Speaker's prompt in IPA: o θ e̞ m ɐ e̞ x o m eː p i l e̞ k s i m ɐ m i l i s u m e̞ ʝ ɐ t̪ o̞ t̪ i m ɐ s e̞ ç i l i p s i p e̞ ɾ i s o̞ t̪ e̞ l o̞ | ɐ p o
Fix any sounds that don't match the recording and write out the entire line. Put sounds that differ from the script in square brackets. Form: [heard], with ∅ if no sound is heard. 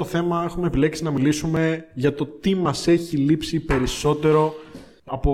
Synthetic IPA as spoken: o θ e̞ m ɐ e̞ x [u] m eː p i l e̞ k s i [n] ɐ m i l i s u m e̞ ʝ ɐ t̪ o̞ t̪ i m ɐ s e̞ ç i l i p s i p e̞ ɾ i s o̞ t̪ e̞ [ɾ] o̞ | ɐ p o